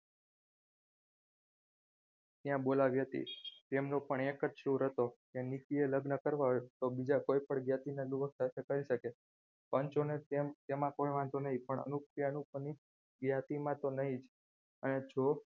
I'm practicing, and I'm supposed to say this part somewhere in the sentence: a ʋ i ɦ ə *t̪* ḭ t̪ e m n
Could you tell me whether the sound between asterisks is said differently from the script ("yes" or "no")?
no